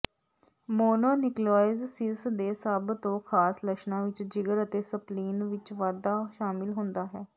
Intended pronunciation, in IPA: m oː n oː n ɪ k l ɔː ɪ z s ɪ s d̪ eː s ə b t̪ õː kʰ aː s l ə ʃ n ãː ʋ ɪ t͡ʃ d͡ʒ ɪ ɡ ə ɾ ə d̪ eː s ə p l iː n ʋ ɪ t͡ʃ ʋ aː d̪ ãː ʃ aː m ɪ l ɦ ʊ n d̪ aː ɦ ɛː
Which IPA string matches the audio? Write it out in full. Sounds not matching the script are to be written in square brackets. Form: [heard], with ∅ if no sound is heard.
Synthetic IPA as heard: m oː n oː n ɪ k l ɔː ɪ z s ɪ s d̪ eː s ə b t̪ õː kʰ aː s l ə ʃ n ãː ʋ ɪ t͡ʃ d͡ʒ ɪ ɡ ə ɾ ə [t̪] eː s ə p l iː n ʋ ɪ t͡ʃ ʋ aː d̪ [aː] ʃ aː m ɪ l ɦ ʊ n d̪ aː ɦ ɛː